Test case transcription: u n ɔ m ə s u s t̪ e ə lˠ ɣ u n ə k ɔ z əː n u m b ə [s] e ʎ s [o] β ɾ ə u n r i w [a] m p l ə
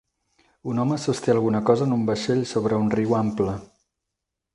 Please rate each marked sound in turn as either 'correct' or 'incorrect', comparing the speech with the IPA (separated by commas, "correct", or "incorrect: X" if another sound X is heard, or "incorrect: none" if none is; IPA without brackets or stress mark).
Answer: incorrect: ʃ, correct, correct